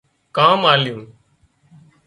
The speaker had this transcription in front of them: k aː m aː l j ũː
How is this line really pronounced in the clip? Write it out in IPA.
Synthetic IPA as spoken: k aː m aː l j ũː